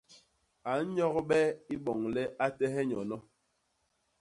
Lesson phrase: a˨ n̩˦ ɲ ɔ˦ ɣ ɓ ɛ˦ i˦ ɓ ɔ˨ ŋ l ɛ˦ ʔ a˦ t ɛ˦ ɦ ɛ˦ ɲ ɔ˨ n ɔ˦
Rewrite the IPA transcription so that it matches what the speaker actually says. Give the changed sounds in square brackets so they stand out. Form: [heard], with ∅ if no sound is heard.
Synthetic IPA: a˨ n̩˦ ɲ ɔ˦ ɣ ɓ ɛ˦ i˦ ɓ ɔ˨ ŋ l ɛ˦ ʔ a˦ t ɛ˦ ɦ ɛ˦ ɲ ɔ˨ n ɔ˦